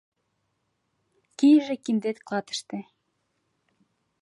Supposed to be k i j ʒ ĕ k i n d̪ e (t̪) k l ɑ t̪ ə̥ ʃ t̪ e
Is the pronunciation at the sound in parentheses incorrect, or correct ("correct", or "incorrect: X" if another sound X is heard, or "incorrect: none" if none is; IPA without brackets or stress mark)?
correct